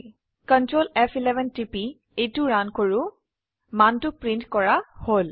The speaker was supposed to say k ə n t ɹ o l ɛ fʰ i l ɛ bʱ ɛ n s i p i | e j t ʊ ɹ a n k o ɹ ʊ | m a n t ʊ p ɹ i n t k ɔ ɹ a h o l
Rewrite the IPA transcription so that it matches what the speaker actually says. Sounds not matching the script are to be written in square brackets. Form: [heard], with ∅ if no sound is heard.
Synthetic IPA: k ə n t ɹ o l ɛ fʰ i l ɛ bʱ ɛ n [t] i p i | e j t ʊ ɹ a n k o ɹ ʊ | m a n t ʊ p ɹ i n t k ɔ ɹ a h o l